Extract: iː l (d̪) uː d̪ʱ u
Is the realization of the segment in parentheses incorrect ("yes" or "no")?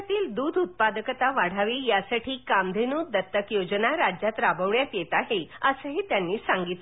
no